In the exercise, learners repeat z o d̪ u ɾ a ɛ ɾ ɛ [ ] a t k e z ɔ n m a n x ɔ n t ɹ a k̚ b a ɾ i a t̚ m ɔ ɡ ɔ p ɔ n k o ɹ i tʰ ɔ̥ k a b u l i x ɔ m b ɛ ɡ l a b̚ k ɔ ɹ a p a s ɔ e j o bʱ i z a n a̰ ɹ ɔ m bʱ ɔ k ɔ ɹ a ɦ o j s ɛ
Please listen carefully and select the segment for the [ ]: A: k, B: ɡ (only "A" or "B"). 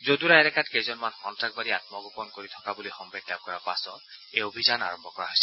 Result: A